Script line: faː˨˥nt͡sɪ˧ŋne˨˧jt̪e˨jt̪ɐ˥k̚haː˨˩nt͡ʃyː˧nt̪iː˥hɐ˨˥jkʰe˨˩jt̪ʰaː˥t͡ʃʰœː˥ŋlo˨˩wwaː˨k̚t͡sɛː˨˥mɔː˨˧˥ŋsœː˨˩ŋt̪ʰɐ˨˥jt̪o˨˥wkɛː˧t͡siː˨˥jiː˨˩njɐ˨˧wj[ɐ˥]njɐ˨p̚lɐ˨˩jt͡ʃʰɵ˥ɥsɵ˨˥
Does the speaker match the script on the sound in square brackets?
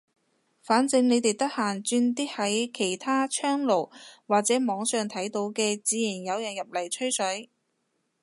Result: no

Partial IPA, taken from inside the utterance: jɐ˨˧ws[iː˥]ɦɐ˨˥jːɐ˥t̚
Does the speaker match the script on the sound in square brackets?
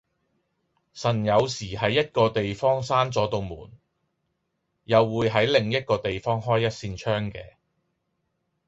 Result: no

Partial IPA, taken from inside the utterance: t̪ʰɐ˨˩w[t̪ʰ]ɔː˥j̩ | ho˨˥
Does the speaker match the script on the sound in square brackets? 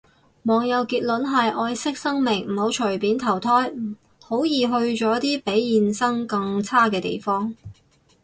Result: yes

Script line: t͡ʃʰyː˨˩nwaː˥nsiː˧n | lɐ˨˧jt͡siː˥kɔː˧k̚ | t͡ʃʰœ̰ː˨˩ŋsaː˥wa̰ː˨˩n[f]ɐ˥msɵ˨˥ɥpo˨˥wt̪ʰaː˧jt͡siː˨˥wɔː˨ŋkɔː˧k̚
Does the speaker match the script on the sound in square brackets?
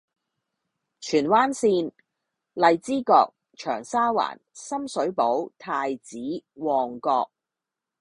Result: no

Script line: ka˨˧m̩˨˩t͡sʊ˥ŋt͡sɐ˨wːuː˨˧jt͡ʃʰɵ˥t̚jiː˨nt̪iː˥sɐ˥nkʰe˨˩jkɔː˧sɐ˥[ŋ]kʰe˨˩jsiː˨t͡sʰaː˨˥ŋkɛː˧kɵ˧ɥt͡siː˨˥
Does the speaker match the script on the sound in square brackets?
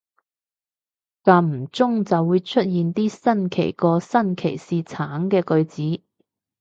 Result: no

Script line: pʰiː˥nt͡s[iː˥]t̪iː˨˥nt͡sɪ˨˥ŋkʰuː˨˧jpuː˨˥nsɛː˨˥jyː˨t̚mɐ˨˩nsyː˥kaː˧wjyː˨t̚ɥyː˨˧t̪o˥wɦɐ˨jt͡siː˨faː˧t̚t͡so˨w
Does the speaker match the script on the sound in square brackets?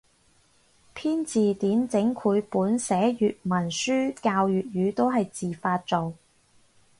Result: no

